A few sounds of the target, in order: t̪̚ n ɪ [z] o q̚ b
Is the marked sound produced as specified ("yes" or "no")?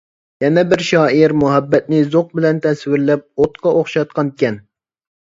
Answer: yes